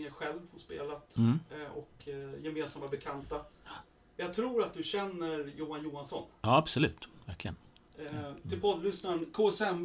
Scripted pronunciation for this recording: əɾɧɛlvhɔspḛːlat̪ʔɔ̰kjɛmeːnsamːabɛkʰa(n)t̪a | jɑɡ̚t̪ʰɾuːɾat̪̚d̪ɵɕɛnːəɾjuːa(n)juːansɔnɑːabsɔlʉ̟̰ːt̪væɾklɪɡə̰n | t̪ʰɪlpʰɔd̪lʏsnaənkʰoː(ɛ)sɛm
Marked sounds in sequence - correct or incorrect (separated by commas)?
correct, correct, correct